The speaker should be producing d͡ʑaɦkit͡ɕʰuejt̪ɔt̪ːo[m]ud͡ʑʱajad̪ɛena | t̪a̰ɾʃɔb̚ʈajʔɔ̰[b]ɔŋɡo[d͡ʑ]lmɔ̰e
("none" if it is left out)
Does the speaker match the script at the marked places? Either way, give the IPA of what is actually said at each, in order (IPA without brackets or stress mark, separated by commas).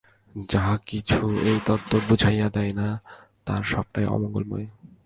b, m, none